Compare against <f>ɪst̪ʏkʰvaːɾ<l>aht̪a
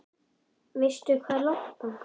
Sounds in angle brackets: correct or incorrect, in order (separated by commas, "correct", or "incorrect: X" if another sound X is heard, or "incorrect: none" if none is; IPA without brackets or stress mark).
incorrect: v, correct